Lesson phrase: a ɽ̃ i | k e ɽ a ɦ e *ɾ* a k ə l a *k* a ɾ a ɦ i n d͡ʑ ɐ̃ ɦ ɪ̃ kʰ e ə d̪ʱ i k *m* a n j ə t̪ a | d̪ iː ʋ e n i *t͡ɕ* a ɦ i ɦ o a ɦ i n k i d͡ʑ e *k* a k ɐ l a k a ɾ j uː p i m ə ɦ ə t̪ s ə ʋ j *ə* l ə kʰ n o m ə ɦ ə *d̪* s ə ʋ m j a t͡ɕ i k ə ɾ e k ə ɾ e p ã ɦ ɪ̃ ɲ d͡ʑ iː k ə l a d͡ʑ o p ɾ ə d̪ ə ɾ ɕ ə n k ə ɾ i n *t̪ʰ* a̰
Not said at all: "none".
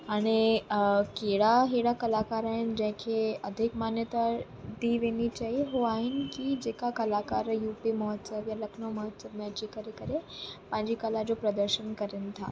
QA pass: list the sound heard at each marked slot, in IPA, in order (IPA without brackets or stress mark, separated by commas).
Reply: ɽ, k, m, t͡ɕ, k, a, t̪, t̪ʰ